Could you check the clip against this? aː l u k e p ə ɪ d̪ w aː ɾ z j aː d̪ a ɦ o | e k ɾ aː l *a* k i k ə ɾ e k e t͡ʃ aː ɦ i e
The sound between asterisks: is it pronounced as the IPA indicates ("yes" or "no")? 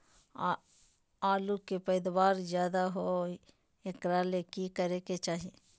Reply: no